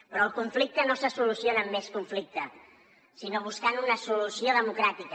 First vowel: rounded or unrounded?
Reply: rounded